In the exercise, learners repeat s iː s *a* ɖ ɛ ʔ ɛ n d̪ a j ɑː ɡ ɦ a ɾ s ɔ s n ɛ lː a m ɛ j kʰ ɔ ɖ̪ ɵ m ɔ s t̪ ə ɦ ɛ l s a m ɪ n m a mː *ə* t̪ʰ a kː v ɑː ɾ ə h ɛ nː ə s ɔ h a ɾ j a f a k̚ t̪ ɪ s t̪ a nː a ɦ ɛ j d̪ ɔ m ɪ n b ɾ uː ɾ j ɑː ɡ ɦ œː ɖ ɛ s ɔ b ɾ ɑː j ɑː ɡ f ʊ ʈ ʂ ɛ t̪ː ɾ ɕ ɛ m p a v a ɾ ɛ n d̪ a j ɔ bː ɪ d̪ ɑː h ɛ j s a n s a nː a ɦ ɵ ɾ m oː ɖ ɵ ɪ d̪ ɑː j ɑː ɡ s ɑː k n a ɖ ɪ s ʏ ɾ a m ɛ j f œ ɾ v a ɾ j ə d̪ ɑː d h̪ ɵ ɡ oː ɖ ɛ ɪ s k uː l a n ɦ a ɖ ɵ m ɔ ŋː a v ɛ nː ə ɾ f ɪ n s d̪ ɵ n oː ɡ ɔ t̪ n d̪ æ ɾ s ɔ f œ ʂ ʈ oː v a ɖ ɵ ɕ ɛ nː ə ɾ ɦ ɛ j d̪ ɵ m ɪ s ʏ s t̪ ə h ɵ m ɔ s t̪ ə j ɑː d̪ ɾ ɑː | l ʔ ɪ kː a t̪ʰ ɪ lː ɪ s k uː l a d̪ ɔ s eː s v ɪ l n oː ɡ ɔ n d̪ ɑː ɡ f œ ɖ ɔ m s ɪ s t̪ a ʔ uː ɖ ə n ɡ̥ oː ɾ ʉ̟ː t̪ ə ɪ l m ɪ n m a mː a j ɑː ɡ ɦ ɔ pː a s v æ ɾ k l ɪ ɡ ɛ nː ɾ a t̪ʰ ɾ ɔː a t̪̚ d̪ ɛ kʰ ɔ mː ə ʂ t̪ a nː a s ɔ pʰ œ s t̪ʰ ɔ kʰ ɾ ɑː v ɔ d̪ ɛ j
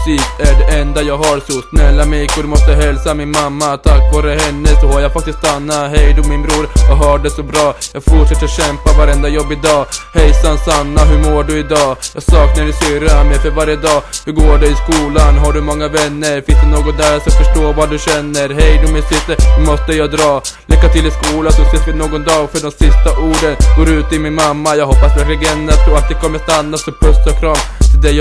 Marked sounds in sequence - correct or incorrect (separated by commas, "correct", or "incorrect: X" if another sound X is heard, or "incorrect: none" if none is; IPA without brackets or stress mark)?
incorrect: æ, incorrect: a